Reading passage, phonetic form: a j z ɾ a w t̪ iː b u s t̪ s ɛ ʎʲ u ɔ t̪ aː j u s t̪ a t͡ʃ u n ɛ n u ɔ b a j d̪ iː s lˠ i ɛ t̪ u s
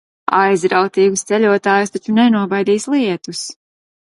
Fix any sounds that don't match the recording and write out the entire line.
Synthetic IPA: a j z ɾ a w t̪ iː ɡ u s t̪ s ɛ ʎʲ u ɔ t̪ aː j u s t̪ a t͡ʃ u n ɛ n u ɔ b a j d̪ iː s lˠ i ɛ t̪ u s